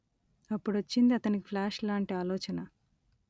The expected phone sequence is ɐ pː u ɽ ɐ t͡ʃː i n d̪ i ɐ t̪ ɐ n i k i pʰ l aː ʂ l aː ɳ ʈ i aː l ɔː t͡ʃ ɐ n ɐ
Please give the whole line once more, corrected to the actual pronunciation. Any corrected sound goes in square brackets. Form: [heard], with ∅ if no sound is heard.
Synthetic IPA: ɐ pː u ɽ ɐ t͡ʃː i n d̪ i ɐ t̪ ɐ n i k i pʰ l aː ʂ l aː ɳ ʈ i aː l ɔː t͡ʃ ɐ n ɐ